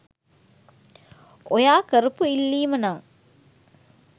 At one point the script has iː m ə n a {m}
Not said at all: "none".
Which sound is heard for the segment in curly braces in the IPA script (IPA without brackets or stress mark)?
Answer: ŋ